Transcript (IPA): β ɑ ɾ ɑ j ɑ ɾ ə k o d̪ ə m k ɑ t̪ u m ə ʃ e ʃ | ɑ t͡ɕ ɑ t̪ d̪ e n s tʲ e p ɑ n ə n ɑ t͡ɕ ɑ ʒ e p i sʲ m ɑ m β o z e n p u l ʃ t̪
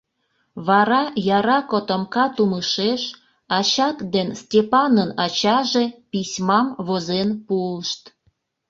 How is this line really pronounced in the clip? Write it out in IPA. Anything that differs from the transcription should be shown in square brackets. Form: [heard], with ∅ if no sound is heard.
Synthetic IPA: β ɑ ɾ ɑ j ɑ ɾ [ɑ] k o [t̪] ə m k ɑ t̪ u m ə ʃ e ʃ | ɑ t͡ɕ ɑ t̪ d̪ e n s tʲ e p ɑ n ə n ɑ t͡ɕ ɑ ʒ e p i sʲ m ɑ m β o z e n p u l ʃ t̪

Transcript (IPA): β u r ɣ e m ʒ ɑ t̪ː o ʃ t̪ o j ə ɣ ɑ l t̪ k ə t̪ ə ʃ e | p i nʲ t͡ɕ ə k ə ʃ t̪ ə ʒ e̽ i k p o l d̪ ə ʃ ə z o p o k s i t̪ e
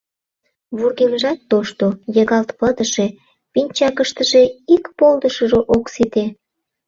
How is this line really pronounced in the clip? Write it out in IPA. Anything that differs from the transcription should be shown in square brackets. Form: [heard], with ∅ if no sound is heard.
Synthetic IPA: β u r ɣ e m ʒ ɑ t̪ː o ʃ t̪ o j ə ɣ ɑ l t̪ [p] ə [d̪] ə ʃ e | p i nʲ t͡ɕ [ɑ] k ə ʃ t̪ ə ʒ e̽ i k p o l d̪ ə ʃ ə [ʒ] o [ʔ] o k s i t̪ e

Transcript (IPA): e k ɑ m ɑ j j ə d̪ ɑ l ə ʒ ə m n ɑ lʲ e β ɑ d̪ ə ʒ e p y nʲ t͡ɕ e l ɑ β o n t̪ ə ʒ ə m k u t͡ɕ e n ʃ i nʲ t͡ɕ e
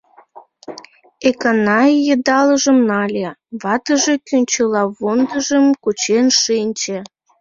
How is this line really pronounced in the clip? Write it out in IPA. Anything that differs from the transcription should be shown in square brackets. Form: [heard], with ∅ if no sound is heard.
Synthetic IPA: e k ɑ [n] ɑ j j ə d̪ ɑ l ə ʒ ə m n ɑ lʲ e β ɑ [t̪] ə ʒ e [k] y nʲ t͡ɕ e l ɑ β o n [d̪] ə ʒ ə m k u t͡ɕ e n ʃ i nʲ t͡ɕ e

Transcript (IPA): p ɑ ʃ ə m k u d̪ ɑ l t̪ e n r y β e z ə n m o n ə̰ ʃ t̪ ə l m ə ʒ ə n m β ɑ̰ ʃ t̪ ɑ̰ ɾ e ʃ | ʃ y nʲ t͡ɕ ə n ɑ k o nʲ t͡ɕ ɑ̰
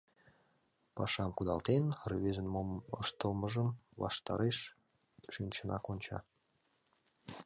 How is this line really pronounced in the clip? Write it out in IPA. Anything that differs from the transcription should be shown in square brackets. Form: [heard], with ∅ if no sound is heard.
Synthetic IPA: p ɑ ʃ [ɑ] m k u d̪ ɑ l t̪ e n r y β e z ə n m o [m] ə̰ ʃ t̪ ə l m ə ʒ ə [∅] m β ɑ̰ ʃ t̪ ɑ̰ ɾ e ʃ | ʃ y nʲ t͡ɕ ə n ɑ k o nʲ t͡ɕ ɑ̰

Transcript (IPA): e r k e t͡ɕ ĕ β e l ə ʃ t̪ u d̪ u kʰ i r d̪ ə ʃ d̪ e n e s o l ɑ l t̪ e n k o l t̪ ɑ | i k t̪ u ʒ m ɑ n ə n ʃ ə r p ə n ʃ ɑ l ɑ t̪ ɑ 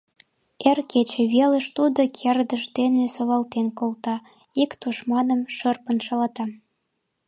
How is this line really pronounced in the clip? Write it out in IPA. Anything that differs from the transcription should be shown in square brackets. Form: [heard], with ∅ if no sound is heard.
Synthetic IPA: e r k e t͡ɕ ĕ β e l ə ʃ t̪ u d̪ [o] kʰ [e] r d̪ ə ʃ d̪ e n e s o l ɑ l t̪ e n k o l t̪ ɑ | i k t̪ u [ʃ] m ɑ n ə [m] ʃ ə r p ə n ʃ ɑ l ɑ t̪ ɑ

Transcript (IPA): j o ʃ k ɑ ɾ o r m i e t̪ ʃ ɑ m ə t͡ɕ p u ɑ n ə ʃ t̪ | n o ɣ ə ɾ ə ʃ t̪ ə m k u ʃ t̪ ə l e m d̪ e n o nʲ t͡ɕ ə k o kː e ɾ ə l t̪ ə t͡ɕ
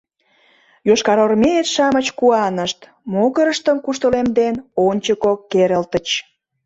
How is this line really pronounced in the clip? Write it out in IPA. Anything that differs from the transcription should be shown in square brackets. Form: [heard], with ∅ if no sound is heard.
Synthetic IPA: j o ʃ k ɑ ɾ o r m [e] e t̪ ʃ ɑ m ə t͡ɕ [k] u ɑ n ə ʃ t̪ | [m] o ɣ ə ɾ ə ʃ t̪ ə m k u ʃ t̪ ə l e m d̪ e n o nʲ t͡ɕ ə k o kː e ɾ ə l t̪ ə t͡ɕ

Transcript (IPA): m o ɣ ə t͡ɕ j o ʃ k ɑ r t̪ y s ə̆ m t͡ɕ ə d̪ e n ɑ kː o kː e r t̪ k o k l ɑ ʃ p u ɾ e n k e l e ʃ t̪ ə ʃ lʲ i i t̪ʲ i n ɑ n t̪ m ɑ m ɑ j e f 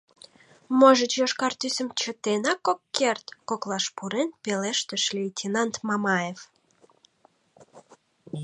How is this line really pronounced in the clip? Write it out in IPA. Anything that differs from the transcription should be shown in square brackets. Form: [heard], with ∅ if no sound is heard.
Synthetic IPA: m o [ʒ] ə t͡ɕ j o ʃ k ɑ r t̪ y s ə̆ m t͡ɕ ə [t̪] e n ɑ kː o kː e r t̪ k o k l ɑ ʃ p u ɾ e n [p] e l e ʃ t̪ ə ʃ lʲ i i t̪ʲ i n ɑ n t̪ m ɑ m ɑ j e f

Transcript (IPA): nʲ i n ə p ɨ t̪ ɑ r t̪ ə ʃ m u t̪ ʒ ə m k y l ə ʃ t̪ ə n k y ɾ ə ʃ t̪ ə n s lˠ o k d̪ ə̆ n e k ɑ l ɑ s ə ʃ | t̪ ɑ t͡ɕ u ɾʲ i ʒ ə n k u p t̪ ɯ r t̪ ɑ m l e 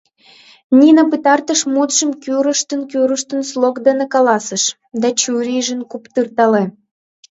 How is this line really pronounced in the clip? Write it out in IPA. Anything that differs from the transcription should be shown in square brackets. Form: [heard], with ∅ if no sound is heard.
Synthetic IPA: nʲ i n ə p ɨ t̪ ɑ r t̪ ə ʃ m u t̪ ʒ ə m k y [ɾ] ə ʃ t̪ ə n k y ɾ ə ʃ t̪ ə n s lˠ o k d̪ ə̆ n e k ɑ l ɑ s ə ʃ | [d̪] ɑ t͡ɕ u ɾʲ i ʒ ə n k u p t̪ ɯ r t̪ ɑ [∅] l e

